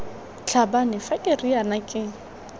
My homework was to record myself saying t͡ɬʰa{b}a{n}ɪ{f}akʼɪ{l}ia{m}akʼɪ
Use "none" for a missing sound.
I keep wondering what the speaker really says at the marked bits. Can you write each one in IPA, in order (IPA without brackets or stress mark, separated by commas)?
b, n, f, r, n